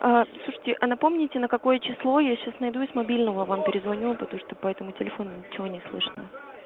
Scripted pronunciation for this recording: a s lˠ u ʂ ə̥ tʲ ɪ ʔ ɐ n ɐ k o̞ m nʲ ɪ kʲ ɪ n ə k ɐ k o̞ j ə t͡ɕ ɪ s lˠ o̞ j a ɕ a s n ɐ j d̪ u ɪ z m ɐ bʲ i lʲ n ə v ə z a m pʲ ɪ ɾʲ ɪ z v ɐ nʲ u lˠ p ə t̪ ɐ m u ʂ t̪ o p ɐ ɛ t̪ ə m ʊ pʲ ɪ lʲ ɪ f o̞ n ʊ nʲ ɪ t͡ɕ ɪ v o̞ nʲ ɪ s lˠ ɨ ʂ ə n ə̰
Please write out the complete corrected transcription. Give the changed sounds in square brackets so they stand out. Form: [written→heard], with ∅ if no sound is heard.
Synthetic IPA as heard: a s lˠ u ʂ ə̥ tʲ ɪ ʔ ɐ n ɐ [k→p] o̞ m nʲ ɪ [kʲ→tʲ] ɪ n ə k ɐ k o̞ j ə t͡ɕ ɪ s lˠ o̞ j a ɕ a s n ɐ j d̪ u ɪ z m ɐ bʲ i lʲ n ə v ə [z→v] a m pʲ ɪ ɾʲ ɪ z v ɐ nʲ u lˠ p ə t̪ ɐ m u ʂ t̪ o p ɐ ɛ t̪ ə m ʊ [pʲ→tʲ] ɪ lʲ ɪ f o̞ n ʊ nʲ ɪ t͡ɕ ɪ v o̞ nʲ ɪ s lˠ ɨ ʂ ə n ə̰